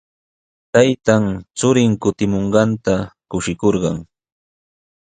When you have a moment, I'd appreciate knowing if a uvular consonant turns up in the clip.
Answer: yes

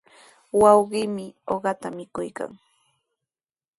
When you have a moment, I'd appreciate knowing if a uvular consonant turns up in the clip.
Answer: yes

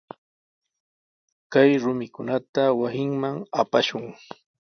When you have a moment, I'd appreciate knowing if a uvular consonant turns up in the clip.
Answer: no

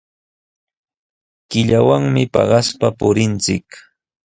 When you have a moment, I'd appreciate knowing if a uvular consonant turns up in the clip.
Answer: yes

